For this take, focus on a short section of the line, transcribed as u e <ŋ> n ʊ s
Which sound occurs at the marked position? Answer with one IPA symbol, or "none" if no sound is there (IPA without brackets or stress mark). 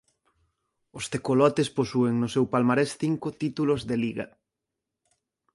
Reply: ŋ